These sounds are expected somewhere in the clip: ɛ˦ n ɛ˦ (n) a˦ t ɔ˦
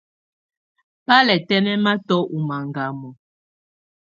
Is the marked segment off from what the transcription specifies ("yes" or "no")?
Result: yes